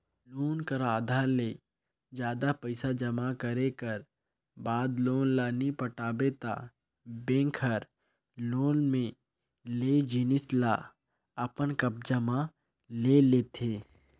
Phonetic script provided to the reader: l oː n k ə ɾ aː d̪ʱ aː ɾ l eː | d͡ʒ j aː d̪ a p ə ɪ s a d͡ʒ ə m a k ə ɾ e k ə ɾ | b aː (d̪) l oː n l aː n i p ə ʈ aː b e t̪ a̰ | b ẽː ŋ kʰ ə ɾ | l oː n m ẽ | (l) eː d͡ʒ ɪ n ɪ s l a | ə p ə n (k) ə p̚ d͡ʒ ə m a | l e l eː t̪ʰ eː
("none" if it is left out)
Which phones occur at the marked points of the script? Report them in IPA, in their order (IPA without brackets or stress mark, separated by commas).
d̪, l, k